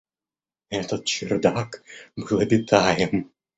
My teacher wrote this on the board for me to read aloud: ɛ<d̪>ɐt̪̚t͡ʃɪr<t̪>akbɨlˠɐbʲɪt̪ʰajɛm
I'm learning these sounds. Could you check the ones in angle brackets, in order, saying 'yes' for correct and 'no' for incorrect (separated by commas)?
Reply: no, no